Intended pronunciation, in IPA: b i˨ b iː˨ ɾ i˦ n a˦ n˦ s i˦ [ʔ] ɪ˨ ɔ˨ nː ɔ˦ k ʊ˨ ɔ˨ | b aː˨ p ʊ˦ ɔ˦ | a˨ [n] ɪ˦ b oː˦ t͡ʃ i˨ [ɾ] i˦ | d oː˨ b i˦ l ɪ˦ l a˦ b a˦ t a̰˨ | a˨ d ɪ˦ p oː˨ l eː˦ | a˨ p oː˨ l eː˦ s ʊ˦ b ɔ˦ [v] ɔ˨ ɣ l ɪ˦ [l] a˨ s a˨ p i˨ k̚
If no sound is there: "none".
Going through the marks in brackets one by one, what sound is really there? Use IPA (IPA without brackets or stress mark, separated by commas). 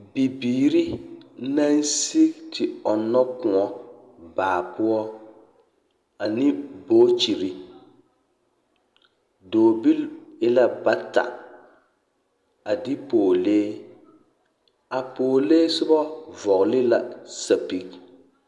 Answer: t, n, ɾ, v, l